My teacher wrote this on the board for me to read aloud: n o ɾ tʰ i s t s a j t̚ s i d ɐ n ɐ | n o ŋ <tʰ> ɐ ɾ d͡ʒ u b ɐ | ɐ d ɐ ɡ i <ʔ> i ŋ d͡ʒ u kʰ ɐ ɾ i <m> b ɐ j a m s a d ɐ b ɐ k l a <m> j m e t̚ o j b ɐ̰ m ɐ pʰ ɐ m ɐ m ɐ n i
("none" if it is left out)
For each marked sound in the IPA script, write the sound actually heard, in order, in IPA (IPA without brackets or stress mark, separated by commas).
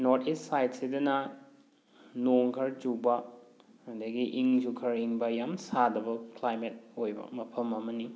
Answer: kʰ, ʔ, ŋ, none